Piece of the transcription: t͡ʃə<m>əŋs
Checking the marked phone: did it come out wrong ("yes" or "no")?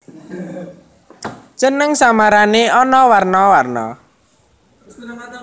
yes